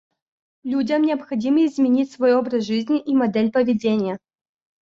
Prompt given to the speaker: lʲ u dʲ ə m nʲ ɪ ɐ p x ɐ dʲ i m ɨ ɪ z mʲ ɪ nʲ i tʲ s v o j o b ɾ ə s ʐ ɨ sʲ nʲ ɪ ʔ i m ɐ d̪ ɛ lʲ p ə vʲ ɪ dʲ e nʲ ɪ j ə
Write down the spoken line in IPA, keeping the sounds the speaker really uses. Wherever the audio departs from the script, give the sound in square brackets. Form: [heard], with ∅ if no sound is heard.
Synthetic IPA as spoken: lʲ u dʲ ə m nʲ ɪ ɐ p x ɐ dʲ i m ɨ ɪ z mʲ ɪ nʲ i tʲ s v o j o b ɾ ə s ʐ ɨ [zʲ] nʲ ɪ ʔ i m ɐ d̪ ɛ lʲ p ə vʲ ɪ dʲ e nʲ ɪ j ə